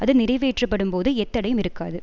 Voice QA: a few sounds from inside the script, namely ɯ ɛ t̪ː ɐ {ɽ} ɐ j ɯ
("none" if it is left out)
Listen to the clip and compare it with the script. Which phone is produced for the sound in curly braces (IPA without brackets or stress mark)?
ɽ